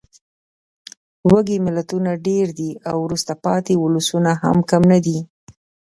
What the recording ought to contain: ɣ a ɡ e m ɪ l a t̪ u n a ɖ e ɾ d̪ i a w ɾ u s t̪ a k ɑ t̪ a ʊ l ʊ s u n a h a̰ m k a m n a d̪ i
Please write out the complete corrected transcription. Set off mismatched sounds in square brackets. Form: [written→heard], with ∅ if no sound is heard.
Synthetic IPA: [ɣ→w] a ɡ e m ɪ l a t̪ u n a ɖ e ɾ d̪ i a w ɾ u s t̪ a [k→p] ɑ t̪ [a→e] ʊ l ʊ s u n a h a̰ m k a m n a d̪ i

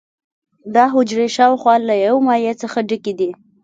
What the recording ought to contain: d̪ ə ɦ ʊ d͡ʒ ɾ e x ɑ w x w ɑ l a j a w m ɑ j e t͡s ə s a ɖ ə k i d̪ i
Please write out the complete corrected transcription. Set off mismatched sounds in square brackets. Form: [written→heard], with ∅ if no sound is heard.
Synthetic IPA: d̪ [ə→ɑ] ɦ ʊ d͡ʒ ɾ e [x→ʃ] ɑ w x w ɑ l a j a w m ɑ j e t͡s ə [s→x] a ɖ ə k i d̪ i

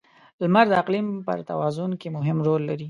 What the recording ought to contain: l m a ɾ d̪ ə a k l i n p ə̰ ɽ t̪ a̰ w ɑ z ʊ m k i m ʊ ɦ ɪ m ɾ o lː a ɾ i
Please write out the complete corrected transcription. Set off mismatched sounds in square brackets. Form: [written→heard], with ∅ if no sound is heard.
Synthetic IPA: l m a ɾ d̪ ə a [k→q] l i [n→m] p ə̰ [ɽ→ɾ] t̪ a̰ w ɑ z ʊ [m→n] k [i→e] m ʊ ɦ ɪ m ɾ o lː a ɾ i

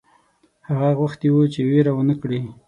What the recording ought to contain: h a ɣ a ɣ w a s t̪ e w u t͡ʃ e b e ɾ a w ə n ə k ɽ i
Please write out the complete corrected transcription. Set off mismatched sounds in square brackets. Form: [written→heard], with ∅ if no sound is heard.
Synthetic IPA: h a ɣ a ɣ w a [s→x] t̪ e w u t͡ʃ e [b→w] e ɾ a w ə n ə k ɽ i

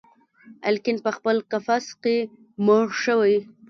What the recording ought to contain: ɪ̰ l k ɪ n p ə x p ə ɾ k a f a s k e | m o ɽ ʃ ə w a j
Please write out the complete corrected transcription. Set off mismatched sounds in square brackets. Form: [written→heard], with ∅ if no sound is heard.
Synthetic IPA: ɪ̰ l k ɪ n p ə x p ə [ɾ→l] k a f a s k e | m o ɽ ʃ ə w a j

